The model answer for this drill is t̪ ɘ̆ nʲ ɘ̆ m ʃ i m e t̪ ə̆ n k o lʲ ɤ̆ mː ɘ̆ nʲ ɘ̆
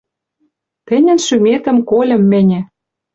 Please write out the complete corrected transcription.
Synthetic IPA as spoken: t̪ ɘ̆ nʲ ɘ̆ n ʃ y m e t̪ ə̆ m k o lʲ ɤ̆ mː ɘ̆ nʲ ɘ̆